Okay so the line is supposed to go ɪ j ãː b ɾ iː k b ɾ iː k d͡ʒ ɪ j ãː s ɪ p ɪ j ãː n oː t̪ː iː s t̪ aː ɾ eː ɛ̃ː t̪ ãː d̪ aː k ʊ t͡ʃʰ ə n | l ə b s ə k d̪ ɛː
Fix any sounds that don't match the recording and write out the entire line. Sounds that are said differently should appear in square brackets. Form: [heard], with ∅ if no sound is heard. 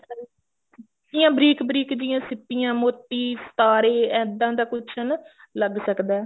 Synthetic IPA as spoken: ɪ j ãː b ɾ iː k b ɾ iː k d͡ʒ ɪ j ãː s ɪ p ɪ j ãː [m] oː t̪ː iː s t̪ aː ɾ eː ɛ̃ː [d̪] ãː d̪ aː k ʊ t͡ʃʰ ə n | l ə [ɡ] s ə k d̪ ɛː